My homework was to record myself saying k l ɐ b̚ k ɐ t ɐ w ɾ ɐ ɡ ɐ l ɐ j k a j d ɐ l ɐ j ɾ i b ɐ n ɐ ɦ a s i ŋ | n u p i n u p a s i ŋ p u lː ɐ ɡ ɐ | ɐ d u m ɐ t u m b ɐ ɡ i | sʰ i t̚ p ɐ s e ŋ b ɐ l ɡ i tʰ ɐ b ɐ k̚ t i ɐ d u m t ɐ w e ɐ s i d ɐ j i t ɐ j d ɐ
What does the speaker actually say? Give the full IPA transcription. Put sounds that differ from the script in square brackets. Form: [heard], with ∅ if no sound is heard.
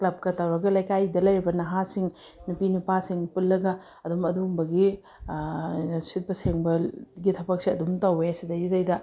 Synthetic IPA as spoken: k l ɐ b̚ k ɐ t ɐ w ɾ ɐ ɡ ɐ l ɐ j k a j d ɐ l ɐ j ɾ i b ɐ n ɐ ɦ a s i ŋ | n u p i n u p a s i ŋ p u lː ɐ ɡ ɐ | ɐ d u m ɐ [d] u m b ɐ ɡ i | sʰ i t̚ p ɐ s e ŋ b ɐ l ɡ i tʰ ɐ b ɐ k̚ [s] i ɐ d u m t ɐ w e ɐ s i d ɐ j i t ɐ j d ɐ

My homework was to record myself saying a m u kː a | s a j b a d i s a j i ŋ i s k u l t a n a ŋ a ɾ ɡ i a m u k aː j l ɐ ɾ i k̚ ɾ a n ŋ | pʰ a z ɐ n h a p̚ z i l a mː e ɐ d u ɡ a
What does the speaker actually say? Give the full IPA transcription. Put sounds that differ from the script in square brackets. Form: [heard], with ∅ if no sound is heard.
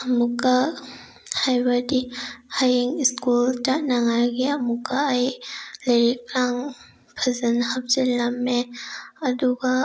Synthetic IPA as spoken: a m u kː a | [h] a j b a d i [h] a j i ŋ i s k u l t a n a ŋ a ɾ ɡ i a m u k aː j l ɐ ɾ i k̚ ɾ a [∅] ŋ | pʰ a z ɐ n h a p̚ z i l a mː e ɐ d u ɡ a

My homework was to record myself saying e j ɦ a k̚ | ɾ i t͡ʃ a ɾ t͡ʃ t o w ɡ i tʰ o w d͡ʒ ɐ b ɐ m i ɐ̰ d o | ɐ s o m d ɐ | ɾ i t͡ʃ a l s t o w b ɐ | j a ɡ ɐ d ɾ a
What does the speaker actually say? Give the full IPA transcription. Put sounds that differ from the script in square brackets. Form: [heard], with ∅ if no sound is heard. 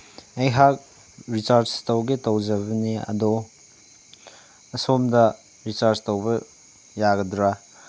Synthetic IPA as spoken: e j ɦ a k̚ | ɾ i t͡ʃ a ɾ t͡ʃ t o w ɡ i [t] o w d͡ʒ ɐ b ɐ [n] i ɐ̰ d o | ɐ s o m d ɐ | ɾ i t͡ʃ a [ɾ] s t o w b ɐ | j a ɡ ɐ d ɾ a

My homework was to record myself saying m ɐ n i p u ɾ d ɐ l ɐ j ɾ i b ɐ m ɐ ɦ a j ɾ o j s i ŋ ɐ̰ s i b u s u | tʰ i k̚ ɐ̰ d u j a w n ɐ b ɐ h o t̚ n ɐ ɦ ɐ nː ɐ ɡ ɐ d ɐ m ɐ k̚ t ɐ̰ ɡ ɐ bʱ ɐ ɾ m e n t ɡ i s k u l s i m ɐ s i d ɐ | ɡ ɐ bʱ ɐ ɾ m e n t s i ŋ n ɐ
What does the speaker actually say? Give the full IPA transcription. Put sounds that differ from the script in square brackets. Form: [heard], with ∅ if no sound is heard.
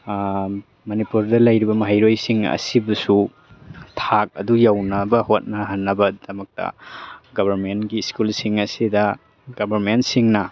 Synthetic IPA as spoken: m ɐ n i p u ɾ d ɐ l ɐ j ɾ i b ɐ m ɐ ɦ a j ɾ o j s i ŋ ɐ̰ s i b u s u | tʰ [a] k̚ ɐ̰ d u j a w n ɐ b ɐ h o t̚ n ɐ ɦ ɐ nː ɐ [b] ɐ d ɐ m ɐ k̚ t ɐ̰ ɡ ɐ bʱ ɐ ɾ m e n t ɡ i s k u l s i [ŋ] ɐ s i d ɐ | ɡ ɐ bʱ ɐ ɾ m e n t s i ŋ n ɐ

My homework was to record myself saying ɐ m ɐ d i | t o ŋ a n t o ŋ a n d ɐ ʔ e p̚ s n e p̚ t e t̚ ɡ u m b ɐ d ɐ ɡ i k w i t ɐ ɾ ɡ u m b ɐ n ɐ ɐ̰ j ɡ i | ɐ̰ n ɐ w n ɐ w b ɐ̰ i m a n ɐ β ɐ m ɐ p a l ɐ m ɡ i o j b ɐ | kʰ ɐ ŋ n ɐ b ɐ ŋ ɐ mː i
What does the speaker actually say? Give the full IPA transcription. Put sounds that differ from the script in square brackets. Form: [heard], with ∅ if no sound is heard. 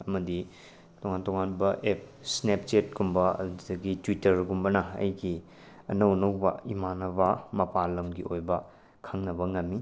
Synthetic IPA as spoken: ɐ m ɐ d i | t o ŋ a n t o ŋ a n [b] ɐ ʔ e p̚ s n e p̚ [t͡ʃ] e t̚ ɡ u m b ɐ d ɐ ɡ i [t] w i t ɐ ɾ ɡ u m b ɐ n ɐ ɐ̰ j ɡ i | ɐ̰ n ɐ w n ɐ w b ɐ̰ i m a n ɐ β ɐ m ɐ p a l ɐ m ɡ i o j b ɐ | kʰ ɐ ŋ n ɐ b ɐ ŋ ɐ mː i

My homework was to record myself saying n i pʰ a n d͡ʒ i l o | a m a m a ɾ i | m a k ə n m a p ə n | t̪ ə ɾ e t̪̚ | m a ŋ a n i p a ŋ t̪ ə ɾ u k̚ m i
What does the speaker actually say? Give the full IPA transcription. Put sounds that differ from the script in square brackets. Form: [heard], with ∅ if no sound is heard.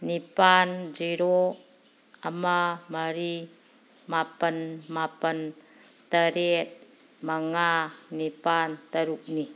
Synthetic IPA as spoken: n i [p] a n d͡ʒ i [ɾ] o | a m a m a ɾ i | m a [p] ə n m a p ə n | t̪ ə ɾ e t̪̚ | m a ŋ a n i p a [n] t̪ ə ɾ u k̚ [n] i

